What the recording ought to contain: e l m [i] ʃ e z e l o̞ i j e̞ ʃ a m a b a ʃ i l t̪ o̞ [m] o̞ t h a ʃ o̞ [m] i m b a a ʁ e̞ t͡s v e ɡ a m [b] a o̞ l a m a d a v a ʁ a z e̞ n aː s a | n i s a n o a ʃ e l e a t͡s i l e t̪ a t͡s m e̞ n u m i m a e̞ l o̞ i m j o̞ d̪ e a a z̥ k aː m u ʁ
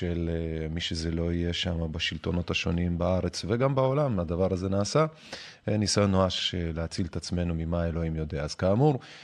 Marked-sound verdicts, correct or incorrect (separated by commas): correct, incorrect, incorrect, correct